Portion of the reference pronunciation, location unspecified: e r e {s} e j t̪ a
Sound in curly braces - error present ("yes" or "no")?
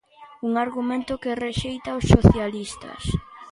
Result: yes